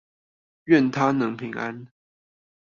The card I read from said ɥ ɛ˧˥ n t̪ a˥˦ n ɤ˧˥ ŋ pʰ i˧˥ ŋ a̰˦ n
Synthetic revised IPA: ɥ ɛ˥˨ n t̪ʰ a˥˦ n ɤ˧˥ ŋ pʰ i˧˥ ŋ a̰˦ n